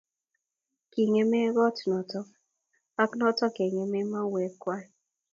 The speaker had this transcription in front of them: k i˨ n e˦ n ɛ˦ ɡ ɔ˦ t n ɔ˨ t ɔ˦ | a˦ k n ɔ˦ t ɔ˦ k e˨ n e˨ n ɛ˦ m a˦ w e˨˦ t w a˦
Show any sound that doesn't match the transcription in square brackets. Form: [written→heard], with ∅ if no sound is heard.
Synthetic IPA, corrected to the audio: k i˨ [n→ŋ] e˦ [n→m] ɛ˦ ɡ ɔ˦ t n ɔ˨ t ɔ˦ | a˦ k n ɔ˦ t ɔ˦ k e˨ [n→ŋ] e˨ [n→m] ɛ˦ m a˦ w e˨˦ [t→k] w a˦